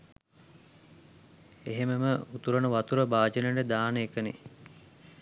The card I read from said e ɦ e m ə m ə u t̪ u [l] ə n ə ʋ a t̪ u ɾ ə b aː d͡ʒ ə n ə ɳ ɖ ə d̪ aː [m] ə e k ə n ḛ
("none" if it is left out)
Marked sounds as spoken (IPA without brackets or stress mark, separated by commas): ɾ, n